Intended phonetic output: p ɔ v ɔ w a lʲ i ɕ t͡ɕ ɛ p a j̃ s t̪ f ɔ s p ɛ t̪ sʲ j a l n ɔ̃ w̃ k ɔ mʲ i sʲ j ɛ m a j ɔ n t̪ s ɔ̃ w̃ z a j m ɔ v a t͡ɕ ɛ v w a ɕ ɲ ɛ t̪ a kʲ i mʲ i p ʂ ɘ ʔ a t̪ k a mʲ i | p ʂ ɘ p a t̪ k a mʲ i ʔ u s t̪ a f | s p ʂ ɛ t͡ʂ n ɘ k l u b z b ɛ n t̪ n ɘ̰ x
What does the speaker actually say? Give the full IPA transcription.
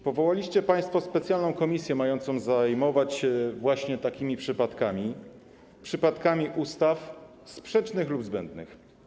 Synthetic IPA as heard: p ɔ v ɔ w a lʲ i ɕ t͡ɕ ɛ p a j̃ s t̪ f ɔ s p ɛ t̪ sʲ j a l n ɔ̃ w̃ k ɔ mʲ i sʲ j ɛ m a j ɔ n t̪ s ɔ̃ w̃ z a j m ɔ v a t͡ɕ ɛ v w a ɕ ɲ ɛ t̪ a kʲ i mʲ i p ʂ ɘ p a t̪ k a mʲ i | p ʂ ɘ p a t̪ k a mʲ i ʔ u s t̪ a f | s p ʂ ɛ t͡ʂ n ɘ x l u b z b ɛ n d̪ n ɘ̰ x